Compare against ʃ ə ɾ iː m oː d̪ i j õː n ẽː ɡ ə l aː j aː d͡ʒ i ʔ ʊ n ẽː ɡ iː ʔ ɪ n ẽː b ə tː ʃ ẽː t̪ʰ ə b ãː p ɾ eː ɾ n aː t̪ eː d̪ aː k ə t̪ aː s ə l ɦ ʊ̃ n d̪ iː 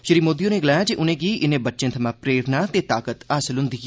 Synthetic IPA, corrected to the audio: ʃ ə ɾ iː m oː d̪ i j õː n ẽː ɡ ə l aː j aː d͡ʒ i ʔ ʊ n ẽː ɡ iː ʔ ɪ n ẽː b ə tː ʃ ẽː t̪ʰ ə m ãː p ɾ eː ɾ n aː t̪ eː t̪ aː k ə t̪ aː s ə l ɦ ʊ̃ n d̪ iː